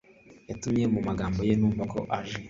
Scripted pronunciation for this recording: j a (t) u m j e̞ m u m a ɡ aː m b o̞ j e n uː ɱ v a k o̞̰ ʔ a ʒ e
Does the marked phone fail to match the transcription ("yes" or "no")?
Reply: no